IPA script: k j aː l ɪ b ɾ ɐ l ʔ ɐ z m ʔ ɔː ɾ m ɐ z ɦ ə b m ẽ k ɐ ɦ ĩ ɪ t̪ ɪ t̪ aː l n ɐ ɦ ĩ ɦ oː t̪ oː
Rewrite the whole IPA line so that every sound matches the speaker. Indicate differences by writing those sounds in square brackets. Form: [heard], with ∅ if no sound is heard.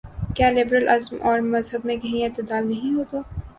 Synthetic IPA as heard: k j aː l ɪ b ɾ [ə] l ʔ ɐ z m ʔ ɔː ɾ m ɐ z ɦ ə b m ẽ k ɐ ɦ ĩ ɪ t̪ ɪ [d̪] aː l n ɐ ɦ ĩ ɦ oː t̪ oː